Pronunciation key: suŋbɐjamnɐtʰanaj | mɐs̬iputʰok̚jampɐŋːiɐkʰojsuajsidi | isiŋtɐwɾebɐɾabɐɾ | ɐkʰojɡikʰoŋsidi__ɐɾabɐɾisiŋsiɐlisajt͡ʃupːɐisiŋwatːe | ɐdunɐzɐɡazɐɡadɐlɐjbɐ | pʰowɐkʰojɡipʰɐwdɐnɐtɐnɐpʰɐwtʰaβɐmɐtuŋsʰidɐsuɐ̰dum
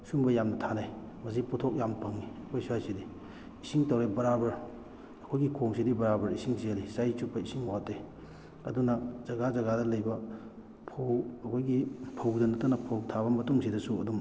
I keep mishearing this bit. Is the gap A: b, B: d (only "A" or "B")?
A